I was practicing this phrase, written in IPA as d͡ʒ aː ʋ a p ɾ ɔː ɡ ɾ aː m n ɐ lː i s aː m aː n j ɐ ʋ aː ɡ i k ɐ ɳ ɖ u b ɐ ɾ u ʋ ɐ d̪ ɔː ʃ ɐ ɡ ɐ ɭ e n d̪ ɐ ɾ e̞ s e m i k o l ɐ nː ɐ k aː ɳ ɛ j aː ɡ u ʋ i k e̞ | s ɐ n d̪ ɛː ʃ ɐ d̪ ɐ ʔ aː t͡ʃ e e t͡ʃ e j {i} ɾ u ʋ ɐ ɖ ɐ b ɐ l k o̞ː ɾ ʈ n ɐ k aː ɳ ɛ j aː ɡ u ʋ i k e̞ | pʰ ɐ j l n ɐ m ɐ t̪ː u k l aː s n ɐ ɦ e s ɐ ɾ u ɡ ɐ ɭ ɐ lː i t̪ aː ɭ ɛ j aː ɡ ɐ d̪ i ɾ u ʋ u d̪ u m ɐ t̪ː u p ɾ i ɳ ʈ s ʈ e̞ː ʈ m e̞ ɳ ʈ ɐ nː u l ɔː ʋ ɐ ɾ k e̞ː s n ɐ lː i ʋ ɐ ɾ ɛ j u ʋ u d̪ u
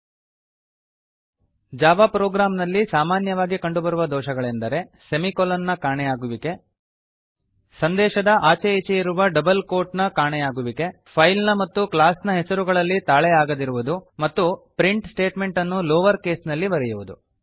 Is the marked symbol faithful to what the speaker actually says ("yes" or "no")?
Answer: yes